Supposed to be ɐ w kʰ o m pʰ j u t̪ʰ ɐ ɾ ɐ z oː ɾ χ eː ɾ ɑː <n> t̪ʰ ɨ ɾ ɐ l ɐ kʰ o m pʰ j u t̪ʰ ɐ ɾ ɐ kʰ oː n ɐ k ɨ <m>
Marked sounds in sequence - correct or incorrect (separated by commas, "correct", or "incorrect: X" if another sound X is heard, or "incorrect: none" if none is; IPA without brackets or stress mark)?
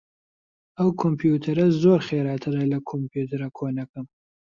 incorrect: none, correct